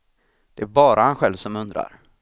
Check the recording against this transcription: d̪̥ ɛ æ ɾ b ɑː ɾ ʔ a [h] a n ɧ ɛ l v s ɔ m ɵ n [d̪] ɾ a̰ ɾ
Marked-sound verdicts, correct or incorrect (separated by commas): correct, correct